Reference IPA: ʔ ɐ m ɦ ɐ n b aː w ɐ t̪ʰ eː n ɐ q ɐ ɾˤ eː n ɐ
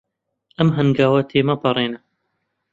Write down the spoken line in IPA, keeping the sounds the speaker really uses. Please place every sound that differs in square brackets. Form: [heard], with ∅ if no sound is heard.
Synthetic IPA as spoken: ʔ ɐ m ɦ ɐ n [ɡ] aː w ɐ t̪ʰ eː [m] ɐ [p] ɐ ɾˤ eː n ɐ